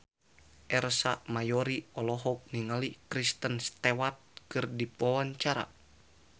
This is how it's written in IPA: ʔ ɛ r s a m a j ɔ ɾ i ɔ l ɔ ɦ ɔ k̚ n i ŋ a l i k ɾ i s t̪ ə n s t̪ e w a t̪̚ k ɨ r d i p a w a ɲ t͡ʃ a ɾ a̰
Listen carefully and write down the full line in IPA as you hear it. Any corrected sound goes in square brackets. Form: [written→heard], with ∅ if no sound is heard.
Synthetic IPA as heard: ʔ ɛ r s a m a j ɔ ɾ i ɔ l ɔ ɦ ɔ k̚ n i ŋ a l i k ɾ i s t̪ ə n s t̪ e w a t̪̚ k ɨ r d i p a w a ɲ t͡ʃ a ɾ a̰